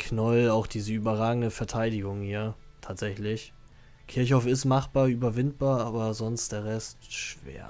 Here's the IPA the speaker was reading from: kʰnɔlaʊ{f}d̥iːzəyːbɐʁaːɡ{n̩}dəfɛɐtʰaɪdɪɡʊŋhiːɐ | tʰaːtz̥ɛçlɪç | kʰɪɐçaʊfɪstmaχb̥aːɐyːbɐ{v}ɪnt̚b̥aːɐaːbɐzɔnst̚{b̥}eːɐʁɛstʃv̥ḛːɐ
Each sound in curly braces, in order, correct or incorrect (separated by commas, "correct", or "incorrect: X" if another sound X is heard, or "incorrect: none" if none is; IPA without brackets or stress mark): incorrect: x, incorrect: ŋ̩, correct, incorrect: d̥